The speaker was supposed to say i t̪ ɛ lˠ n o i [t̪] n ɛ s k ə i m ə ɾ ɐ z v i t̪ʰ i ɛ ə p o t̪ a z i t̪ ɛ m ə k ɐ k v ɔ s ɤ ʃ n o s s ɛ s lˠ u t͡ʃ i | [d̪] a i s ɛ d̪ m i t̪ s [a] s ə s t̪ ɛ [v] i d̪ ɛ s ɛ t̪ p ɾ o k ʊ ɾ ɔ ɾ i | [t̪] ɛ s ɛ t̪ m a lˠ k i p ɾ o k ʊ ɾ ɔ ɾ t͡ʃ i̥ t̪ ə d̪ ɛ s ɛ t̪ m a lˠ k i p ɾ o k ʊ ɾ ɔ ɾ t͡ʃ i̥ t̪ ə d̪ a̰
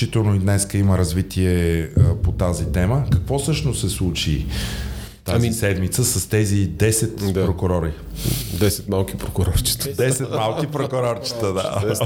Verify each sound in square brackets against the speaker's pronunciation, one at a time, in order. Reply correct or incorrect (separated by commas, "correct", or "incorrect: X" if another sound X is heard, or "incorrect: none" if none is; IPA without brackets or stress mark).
incorrect: d̪, incorrect: t̪, incorrect: ə, incorrect: z, incorrect: d̪